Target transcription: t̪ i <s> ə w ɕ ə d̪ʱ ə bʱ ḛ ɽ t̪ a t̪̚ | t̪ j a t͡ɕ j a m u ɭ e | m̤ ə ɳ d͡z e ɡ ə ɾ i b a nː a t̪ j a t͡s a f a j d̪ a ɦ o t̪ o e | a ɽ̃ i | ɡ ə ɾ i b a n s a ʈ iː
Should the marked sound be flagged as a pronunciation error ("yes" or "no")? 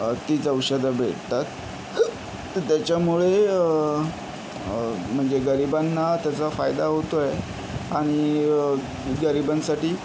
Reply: yes